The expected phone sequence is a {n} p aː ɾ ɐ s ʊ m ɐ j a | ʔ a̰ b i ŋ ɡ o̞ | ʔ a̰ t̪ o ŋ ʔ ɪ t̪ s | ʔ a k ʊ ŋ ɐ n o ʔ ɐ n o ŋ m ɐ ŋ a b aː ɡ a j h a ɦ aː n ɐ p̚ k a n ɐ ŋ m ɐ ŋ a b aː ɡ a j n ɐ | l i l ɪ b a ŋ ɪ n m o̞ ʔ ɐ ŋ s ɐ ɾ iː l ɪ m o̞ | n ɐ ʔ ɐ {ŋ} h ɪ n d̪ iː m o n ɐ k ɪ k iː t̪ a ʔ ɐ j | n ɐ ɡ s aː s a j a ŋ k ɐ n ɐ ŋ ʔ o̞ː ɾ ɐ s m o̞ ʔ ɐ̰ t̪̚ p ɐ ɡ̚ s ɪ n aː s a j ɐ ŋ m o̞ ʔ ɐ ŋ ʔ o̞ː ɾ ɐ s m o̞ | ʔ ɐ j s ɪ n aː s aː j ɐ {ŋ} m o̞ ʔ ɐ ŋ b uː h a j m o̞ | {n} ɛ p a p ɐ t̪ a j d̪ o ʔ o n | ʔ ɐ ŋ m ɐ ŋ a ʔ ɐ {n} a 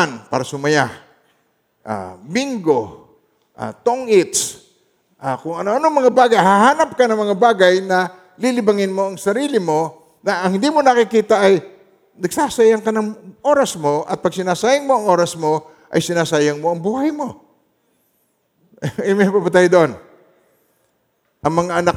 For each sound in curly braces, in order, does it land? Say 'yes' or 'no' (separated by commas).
yes, yes, yes, no, yes